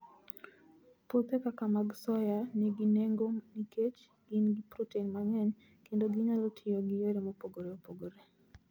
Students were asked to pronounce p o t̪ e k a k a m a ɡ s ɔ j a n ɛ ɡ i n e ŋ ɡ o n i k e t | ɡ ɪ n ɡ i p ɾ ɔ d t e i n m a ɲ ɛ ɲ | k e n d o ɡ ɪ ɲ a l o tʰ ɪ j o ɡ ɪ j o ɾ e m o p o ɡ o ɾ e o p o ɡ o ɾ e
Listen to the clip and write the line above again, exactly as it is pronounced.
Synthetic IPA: p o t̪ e k a k a m a ɡ s ɔ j a n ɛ ɡ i n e ŋ ɡ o n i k e t͡ʃ | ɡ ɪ n ɡ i p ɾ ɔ t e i n m a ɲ ɛ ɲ | k e n d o ɡ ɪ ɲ a l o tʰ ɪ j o ɡ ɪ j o ɾ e m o p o ɡ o ɾ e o p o ɡ o ɾ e